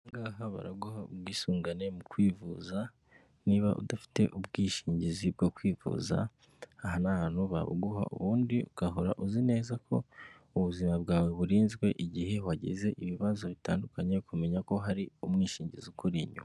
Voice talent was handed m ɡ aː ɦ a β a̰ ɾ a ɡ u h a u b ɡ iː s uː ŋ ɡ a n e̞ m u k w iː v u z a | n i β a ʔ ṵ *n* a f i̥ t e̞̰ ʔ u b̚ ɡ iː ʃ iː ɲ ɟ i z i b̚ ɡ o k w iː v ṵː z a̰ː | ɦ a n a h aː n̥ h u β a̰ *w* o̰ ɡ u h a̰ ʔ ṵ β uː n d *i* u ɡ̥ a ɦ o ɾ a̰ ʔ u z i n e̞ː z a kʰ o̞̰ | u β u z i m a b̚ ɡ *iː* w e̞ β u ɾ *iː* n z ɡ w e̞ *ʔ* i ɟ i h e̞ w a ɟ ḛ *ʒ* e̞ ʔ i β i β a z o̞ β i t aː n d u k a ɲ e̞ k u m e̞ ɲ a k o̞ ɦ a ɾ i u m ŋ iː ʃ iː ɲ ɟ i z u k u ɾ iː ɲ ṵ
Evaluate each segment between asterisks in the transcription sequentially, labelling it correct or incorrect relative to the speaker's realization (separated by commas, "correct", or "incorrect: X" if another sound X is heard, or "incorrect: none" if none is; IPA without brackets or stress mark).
incorrect: d, incorrect: β, correct, incorrect: aː, correct, correct, incorrect: z